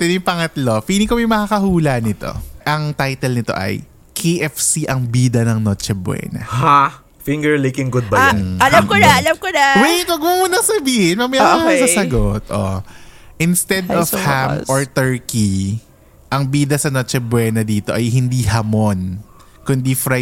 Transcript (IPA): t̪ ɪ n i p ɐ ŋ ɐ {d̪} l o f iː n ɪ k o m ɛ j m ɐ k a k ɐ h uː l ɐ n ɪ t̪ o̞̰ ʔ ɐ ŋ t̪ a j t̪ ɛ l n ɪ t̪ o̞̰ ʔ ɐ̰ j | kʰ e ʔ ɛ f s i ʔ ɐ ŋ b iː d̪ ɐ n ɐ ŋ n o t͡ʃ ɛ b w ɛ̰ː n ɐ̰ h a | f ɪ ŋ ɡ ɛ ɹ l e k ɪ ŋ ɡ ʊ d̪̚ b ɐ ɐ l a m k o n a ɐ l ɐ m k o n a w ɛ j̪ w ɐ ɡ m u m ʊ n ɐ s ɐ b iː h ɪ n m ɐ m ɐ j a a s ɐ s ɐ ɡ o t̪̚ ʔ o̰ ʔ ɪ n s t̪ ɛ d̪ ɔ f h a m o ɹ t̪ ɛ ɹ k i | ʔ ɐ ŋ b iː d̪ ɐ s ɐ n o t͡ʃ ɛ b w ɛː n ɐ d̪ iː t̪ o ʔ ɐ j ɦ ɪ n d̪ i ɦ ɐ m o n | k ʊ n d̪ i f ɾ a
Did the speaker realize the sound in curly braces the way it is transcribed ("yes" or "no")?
no